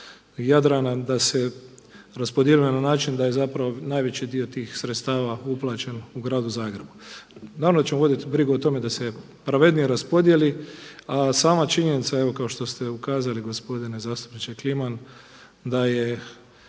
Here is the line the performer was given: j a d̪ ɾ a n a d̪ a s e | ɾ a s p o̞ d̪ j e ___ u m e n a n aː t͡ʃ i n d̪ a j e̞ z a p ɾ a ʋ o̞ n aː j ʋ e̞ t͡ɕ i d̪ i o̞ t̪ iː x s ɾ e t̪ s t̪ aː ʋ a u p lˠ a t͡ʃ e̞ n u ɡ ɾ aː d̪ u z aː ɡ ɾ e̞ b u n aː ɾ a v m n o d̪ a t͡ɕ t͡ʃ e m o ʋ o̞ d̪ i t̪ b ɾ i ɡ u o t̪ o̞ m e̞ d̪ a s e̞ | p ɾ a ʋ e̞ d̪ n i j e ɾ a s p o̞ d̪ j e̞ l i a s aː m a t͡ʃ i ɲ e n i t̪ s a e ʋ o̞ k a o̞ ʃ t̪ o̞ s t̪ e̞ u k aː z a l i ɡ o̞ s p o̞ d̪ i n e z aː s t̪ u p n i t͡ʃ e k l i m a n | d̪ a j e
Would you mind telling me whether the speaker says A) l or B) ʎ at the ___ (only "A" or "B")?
A